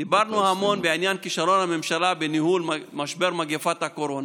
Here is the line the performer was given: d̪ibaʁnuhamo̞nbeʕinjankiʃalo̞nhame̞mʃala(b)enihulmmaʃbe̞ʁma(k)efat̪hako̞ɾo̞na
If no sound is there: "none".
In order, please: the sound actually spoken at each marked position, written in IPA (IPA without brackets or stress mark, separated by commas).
b, ɡ